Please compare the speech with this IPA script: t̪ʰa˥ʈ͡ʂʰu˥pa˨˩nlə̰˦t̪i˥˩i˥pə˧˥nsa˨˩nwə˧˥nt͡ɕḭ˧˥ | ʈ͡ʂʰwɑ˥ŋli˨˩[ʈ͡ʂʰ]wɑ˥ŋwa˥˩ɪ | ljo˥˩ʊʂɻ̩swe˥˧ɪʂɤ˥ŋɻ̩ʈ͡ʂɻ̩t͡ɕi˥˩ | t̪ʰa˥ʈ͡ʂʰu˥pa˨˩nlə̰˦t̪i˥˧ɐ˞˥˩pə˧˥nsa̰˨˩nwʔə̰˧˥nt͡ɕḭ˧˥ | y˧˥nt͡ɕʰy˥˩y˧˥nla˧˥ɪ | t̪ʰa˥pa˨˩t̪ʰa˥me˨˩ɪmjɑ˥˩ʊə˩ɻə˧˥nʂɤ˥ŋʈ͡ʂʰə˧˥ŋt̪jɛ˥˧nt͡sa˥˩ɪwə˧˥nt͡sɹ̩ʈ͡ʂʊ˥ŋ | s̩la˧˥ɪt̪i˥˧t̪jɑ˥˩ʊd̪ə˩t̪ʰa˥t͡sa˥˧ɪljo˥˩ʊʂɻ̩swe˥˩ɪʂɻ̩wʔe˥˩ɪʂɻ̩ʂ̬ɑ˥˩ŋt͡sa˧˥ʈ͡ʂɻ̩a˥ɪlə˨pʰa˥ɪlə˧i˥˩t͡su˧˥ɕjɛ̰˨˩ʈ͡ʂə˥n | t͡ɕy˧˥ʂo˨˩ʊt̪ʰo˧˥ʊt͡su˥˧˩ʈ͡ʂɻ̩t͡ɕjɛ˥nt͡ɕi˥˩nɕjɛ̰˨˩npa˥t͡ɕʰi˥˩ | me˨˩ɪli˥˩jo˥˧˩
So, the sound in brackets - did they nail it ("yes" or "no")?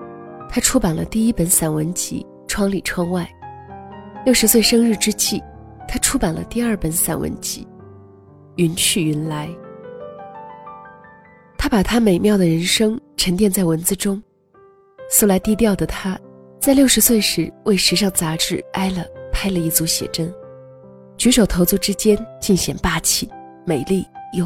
yes